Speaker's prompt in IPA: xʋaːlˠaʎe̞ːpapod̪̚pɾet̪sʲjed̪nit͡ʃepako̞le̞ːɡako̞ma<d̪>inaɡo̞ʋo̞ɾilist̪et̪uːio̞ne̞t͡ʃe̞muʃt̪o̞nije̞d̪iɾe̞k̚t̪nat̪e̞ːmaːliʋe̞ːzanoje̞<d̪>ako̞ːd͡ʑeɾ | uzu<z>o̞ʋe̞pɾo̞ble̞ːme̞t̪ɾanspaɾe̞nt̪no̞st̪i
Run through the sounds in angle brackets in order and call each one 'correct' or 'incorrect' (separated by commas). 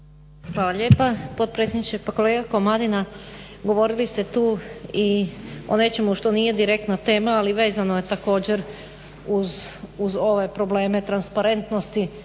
correct, incorrect, correct